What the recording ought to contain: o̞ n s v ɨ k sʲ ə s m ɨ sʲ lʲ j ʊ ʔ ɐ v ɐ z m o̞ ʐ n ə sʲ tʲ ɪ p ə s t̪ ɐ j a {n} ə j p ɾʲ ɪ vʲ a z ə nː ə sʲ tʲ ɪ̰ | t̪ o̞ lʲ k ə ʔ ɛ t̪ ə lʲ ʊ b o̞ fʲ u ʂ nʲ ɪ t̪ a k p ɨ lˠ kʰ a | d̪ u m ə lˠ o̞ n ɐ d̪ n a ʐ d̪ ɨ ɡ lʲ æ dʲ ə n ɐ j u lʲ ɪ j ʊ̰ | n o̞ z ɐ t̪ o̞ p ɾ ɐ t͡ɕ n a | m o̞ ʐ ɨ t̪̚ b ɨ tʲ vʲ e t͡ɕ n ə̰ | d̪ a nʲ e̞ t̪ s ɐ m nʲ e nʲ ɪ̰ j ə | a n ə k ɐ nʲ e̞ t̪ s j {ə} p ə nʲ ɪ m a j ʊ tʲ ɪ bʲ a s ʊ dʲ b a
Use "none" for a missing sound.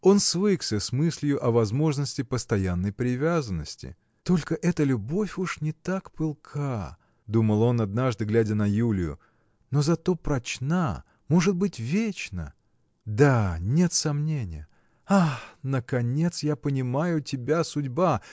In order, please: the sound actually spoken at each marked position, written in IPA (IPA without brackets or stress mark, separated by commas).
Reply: nː, a